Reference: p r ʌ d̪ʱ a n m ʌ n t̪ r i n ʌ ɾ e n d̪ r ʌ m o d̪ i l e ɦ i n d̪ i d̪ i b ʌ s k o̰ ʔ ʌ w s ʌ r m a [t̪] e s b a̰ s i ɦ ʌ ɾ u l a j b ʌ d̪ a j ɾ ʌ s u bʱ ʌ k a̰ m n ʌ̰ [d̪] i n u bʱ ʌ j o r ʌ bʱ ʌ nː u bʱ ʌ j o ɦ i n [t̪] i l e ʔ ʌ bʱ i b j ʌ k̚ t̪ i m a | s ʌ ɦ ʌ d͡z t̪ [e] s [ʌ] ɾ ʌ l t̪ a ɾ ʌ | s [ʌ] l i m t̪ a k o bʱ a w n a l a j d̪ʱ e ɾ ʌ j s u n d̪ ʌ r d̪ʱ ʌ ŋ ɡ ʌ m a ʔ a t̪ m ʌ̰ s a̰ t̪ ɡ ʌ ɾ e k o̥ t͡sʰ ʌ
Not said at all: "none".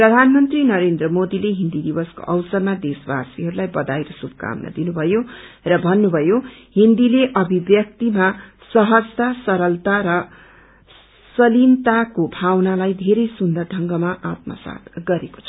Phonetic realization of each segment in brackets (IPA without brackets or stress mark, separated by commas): d̪, d̪, d̪, a, ʌ, ʌ